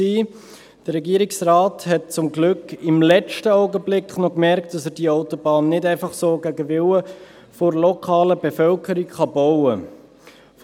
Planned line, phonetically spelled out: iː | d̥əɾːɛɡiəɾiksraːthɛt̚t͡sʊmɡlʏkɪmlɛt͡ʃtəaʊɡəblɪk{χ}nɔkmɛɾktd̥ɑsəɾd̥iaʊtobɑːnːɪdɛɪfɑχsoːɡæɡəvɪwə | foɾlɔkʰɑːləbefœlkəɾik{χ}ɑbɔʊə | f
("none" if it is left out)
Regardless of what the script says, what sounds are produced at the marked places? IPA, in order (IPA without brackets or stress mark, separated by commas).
χ, χ